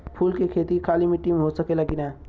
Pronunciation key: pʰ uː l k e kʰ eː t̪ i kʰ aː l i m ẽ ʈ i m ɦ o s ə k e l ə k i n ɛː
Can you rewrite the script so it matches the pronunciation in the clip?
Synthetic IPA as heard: pʰ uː l k e kʰ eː t̪ i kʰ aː l i m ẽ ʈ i m ɦ o s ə k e l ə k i n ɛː